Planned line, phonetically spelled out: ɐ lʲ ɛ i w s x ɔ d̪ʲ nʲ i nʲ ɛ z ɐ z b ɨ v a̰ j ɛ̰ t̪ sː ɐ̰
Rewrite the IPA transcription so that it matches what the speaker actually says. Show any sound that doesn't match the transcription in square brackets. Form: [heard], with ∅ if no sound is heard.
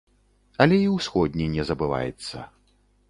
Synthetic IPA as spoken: ɐ lʲ ɛ i w s x ɔ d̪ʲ nʲ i nʲ ɛ z ɐ [∅] b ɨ v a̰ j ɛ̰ t̪ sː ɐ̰

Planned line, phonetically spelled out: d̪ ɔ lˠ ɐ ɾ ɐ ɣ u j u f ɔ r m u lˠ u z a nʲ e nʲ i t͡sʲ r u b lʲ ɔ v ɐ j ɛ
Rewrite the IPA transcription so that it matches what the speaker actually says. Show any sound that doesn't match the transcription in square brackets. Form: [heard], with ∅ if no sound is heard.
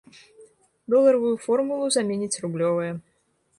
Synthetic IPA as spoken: d̪ ɔ lˠ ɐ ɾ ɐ [v] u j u f ɔ r m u lˠ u z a [mʲ] e nʲ i t͡sʲ r u b lʲ ɔ v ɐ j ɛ

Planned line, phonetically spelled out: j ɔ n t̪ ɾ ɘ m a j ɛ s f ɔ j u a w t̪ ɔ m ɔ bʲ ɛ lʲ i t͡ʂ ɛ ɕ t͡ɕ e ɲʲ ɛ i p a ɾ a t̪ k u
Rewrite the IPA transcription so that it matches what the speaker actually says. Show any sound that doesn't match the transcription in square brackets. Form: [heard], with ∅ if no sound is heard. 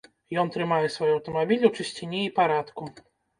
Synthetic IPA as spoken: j ɔ n t̪ ɾ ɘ m a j ɛ s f ɔ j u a w t̪ ɔ m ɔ bʲ [i] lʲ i t͡ʂ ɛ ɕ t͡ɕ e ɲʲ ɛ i p a ɾ a t̪ k u

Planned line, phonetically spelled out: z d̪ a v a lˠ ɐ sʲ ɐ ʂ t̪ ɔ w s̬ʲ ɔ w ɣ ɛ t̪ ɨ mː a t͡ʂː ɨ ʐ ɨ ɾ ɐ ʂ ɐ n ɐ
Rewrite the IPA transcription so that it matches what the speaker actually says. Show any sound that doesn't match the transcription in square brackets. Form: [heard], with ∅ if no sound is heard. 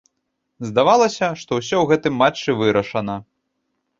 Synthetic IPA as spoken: z d̪ a v a lˠ ɐ sʲ ɐ ʂ t̪ ɔ w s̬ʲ ɔ w ɣ ɛ t̪ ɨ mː a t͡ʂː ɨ [v] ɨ ɾ ɐ ʂ ɐ n ɐ

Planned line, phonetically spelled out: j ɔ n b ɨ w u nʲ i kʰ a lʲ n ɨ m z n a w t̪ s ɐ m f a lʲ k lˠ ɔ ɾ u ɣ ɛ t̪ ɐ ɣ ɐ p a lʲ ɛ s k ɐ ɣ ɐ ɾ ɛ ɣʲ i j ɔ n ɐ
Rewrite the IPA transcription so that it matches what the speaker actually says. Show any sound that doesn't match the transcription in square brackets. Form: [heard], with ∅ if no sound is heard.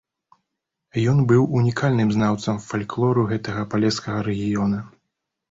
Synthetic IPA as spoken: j ɔ n b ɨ w u nʲ i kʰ a lʲ n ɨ m z n a w t̪ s ɐ m f a lʲ k lˠ ɔ ɾ u ɣ ɛ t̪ ɐ ɣ ɐ p a lʲ ɛ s k ɐ ɣ ɐ ɾ ɛ ɣʲ i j ɔ n ɐ

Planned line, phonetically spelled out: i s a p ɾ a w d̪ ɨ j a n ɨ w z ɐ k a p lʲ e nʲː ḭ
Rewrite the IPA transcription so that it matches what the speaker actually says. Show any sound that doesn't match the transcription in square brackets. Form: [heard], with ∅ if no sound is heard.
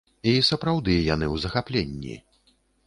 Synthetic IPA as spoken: i s [ɐ] p ɾ a w d̪ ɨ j a n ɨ w z ɐ [x] a p lʲ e nʲː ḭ

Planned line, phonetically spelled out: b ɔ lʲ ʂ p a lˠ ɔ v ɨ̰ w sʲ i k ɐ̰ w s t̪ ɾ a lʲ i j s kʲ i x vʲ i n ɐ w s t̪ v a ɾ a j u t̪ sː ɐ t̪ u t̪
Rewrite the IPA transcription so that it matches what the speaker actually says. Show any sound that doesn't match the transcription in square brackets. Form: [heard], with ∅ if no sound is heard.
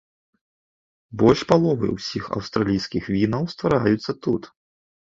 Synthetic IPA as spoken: b ɔ lʲ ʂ p a lˠ ɔ v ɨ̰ w sʲ i [x] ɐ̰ w s t̪ ɾ a lʲ i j s kʲ i x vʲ i n ɐ w s t̪ v a ɾ a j u t̪ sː ɐ t̪ u t̪

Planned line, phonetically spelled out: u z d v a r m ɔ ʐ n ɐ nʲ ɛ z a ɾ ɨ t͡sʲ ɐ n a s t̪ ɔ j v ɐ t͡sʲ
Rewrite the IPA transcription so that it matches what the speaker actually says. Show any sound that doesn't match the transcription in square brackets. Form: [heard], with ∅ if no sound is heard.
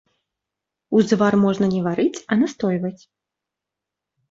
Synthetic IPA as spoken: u z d v a r m ɔ ʐ n ɐ nʲ ɛ [v] a ɾ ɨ t͡sʲ ɐ n a s t̪ ɔ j v ɐ t͡sʲ

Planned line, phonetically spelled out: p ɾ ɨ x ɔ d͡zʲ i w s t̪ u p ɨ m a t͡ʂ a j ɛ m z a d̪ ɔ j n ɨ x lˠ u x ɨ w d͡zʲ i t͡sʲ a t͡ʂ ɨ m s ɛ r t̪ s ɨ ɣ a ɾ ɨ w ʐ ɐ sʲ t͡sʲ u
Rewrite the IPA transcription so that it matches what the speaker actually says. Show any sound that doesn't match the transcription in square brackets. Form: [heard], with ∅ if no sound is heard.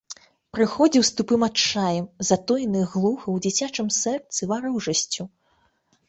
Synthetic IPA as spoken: p ɾ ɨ x ɔ d͡zʲ i w s t̪ u p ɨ m a t͡ʂ a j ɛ m z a [t̪] ɔ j n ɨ [ɣ] lˠ u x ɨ w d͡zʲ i t͡sʲ a t͡ʂ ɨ m s ɛ r t̪ s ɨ [v] a ɾ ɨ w ʐ ɐ sʲ t͡sʲ u

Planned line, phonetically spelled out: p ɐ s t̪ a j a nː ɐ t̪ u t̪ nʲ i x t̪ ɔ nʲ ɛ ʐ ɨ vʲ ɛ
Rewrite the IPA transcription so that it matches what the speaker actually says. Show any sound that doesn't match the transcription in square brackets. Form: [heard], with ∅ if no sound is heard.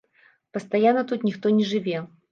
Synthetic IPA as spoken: p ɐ s t̪ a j a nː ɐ t̪ u t̪ nʲ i x t̪ ɔ nʲ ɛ ʐ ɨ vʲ ɛ

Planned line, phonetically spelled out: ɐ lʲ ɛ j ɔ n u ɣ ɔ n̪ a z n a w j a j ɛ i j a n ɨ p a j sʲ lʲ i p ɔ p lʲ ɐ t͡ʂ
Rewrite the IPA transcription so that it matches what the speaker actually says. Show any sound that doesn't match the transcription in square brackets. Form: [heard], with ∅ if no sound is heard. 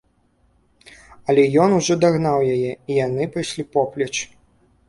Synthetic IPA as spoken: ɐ lʲ ɛ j ɔ n u [ʐ] ɔ [d̪] a [ɣ] n a w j a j ɛ i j a n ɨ p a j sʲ lʲ i p ɔ p lʲ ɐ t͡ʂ

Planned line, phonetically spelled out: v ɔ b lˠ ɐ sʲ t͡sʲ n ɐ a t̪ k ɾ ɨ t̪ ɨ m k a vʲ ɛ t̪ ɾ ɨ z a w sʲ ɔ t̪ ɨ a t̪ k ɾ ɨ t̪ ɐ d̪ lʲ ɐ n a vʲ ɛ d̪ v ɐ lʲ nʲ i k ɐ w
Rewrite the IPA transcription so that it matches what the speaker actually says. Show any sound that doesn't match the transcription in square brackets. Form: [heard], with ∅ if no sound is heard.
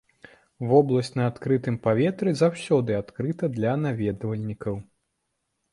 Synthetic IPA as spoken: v ɔ b lˠ ɐ sʲ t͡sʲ n ɐ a t̪ k ɾ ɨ t̪ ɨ m [p] a vʲ ɛ t̪ ɾ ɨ z a w sʲ ɔ [d̪] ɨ a t̪ k ɾ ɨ t̪ ɐ d̪ lʲ ɐ n a vʲ ɛ d̪ v ɐ lʲ nʲ i k ɐ w

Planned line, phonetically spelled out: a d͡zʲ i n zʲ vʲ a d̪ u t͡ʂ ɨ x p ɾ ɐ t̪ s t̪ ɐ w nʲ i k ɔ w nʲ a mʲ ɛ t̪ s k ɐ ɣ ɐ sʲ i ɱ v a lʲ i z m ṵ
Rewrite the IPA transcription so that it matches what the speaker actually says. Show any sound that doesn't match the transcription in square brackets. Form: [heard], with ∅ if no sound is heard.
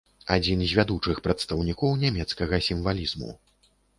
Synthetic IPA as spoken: a d͡zʲ i n zʲ vʲ a d̪ u t͡ʂ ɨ x p ɾ ɐ t̪ s t̪ ɐ w nʲ i k ɔ w nʲ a mʲ ɛ t̪ s k ɐ ɣ ɐ sʲ i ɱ v a lʲ i z m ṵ

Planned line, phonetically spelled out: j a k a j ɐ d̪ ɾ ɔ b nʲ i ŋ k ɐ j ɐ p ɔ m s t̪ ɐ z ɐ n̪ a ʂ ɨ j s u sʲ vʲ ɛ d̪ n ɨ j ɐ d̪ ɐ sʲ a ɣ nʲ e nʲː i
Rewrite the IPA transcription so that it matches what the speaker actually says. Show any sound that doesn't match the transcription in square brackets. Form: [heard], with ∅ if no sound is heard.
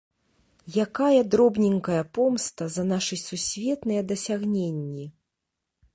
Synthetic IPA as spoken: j a k a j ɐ d̪ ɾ ɔ b nʲ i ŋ k ɐ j ɐ p ɔ m s t̪ ɐ z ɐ n̪ a ʂ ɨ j s u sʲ vʲ ɛ [t̪] n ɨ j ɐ d̪ ɐ sʲ a ɣ nʲ e nʲː i

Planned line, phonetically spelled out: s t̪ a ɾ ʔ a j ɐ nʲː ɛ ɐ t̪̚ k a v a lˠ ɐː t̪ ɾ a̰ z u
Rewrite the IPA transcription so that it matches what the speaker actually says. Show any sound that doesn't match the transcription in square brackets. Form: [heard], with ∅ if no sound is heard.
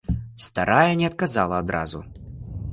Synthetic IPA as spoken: s t̪ a ɾ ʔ a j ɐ [nʲ] ɛ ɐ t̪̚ k a [z] a lˠ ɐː [d̪] ɾ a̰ z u

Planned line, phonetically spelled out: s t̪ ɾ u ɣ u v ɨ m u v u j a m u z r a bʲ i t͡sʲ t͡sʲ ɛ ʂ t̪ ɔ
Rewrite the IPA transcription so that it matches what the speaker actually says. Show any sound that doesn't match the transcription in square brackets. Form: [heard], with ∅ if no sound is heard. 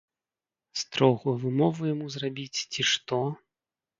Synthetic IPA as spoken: s t̪ ɾ [ɔ] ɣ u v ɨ m [ɔ] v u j a m u z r a bʲ i t͡sʲ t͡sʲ [i] ʂ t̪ ɔ

